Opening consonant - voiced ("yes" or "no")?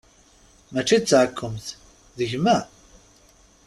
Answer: yes